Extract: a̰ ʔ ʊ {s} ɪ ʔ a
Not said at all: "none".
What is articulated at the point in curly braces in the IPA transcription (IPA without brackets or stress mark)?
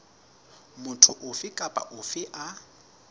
f